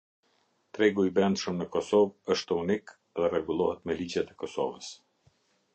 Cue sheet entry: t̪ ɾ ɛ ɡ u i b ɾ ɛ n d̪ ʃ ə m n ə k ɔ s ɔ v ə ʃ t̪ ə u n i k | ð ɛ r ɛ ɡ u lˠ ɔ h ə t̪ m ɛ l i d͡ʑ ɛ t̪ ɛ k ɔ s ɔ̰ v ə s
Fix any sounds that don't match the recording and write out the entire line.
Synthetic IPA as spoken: t̪ ɾ ɛ ɡ u i b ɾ ɛ n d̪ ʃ ə m n ə k ɔ s ɔ v ə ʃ t̪ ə u n i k | ð ɛ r ɛ ɡ u lˠ ɔ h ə t̪ m ɛ l i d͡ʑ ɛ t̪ ɛ k ɔ s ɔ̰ v ə s